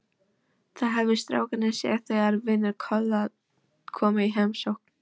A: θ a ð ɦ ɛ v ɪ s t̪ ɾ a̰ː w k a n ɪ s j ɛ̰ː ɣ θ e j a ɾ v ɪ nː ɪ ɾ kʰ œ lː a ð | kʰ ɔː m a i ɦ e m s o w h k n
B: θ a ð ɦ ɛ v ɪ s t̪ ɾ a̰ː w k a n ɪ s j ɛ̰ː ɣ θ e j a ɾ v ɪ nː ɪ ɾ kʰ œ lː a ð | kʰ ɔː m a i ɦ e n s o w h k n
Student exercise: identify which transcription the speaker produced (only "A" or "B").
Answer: A